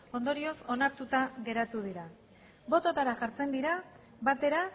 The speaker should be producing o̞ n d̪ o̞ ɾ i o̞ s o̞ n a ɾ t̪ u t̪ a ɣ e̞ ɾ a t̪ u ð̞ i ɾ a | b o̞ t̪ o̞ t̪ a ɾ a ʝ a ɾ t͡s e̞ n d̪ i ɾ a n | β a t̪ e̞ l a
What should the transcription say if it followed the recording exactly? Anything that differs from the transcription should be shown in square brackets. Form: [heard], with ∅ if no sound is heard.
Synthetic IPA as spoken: o̞ n d̪ o̞ ɾ i o̞ s o̞ n a ɾ t̪ u t̪ a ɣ e̞ ɾ a t̪ u ð̞ i ɾ a | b o̞ t̪ o̞ t̪ a ɾ a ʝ a ɾ t͡s e̞ n d̪ i ɾ a [∅] | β a t̪ e̞ [ɾ] a